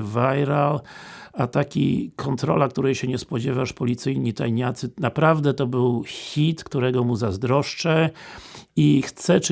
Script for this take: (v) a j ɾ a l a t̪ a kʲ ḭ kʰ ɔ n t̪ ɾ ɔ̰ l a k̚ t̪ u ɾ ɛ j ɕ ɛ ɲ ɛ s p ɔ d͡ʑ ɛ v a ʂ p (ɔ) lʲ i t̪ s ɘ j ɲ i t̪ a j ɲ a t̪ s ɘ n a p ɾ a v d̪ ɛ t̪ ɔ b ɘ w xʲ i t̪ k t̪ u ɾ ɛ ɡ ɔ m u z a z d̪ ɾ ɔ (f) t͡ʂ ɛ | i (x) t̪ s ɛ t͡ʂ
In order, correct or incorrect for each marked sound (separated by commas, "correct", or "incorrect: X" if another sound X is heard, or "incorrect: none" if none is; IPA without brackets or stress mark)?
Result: correct, correct, incorrect: ʂ, correct